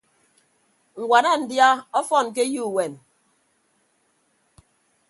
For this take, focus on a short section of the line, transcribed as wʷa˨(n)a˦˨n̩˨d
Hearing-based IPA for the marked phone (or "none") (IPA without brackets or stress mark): n